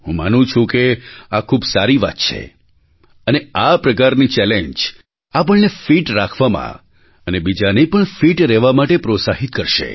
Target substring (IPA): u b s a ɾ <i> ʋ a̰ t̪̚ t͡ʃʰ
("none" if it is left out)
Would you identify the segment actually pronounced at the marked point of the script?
i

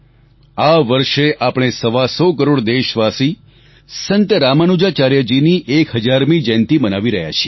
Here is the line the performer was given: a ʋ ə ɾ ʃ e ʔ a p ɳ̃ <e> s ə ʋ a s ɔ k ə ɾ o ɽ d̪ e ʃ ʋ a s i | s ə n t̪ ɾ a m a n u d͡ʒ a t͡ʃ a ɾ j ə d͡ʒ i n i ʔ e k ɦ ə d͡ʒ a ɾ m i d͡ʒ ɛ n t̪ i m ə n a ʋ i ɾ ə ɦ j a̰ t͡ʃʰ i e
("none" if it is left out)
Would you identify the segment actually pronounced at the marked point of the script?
e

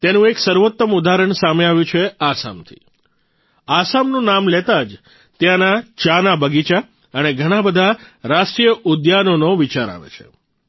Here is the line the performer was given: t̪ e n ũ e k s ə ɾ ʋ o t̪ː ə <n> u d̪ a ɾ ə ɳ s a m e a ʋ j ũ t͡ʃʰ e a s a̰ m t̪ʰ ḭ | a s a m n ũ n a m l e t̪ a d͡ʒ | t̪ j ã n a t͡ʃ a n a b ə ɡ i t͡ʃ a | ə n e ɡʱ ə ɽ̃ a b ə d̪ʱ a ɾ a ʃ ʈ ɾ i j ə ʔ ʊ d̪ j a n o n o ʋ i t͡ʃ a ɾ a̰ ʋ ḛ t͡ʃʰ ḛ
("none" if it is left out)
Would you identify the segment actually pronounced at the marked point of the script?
m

